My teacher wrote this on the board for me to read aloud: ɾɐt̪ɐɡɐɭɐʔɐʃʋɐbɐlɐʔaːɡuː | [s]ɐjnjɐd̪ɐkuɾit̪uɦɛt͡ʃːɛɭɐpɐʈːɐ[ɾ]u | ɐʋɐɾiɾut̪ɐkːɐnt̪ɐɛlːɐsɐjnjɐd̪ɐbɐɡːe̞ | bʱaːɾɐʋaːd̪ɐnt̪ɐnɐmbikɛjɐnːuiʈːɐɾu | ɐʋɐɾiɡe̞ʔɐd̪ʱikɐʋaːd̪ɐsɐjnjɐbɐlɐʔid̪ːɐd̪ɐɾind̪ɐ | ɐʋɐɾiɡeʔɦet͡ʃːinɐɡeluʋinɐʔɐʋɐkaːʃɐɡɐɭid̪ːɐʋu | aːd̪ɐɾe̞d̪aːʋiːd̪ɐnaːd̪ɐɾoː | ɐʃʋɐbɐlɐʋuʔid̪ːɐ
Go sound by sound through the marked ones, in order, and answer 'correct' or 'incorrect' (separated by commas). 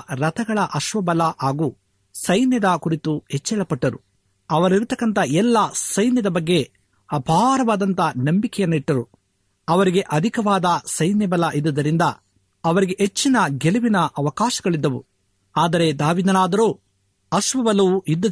correct, correct